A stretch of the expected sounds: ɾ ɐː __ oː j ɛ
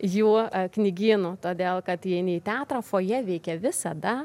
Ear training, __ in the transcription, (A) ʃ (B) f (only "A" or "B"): B